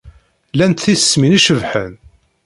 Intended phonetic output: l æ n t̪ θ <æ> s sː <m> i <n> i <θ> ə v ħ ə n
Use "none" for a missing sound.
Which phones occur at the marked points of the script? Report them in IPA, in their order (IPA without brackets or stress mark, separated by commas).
i, m, n, ʃ